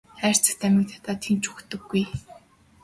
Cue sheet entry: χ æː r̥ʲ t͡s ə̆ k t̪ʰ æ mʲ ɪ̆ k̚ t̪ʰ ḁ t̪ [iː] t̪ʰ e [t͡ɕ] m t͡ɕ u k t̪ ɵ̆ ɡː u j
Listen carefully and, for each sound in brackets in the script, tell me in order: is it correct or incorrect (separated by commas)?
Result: incorrect, incorrect